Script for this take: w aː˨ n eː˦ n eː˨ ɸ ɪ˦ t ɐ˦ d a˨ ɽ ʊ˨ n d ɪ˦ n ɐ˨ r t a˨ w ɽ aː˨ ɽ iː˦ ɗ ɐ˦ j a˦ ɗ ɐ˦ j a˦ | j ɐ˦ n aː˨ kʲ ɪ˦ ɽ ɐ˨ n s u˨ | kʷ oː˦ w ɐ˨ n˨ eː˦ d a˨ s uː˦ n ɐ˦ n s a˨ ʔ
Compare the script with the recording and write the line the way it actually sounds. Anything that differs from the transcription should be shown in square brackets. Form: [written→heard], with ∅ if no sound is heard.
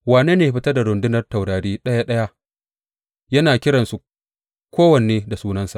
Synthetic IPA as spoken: w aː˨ n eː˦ n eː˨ ɸ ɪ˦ t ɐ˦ d a˨ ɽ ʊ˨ n d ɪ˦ n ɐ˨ r t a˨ w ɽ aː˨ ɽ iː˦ ɗ ɐ˦ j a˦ ɗ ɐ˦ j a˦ | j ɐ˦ n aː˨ kʲ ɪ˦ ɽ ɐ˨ n s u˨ | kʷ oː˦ w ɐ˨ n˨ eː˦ d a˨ s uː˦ n ɐ˦ n s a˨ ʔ